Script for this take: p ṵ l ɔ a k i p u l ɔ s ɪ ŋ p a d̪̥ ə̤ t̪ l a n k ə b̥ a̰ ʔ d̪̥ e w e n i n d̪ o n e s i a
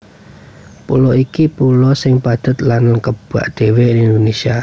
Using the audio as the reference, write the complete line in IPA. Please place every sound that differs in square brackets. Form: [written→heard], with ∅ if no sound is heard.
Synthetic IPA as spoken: p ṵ l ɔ [a→i] k i p u l ɔ s ɪ ŋ p a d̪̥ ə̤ t̪ l a n k ə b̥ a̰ ʔ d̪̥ e w e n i n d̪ o n e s i a